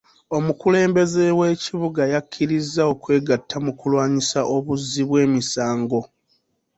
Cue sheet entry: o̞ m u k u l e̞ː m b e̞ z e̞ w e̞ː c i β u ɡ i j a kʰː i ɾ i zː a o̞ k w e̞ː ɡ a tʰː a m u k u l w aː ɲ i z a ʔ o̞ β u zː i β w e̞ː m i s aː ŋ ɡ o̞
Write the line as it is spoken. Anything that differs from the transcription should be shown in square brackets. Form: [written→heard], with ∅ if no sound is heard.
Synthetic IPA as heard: o̞ m u k u l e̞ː m b e̞ z e̞ w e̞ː c i β u ɡ [i→a] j a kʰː i ɾ i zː a o̞ k w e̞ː ɡ a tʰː a m u k u l w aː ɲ i [z→s] a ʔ o̞ β u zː i β w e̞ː m i s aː ŋ ɡ o̞